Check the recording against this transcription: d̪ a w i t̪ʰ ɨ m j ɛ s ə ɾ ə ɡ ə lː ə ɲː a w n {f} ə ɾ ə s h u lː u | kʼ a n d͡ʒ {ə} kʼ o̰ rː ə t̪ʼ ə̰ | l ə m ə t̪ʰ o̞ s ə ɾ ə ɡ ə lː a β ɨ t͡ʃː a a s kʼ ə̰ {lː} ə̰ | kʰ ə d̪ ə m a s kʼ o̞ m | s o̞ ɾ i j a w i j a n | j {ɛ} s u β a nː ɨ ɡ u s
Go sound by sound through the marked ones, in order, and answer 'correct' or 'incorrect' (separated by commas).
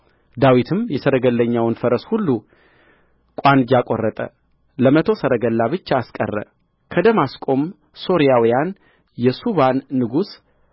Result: correct, incorrect, incorrect, correct